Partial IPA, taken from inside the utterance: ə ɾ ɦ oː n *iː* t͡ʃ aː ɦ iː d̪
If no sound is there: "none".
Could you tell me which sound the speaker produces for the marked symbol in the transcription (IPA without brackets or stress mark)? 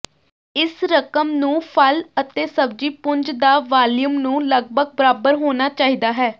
aː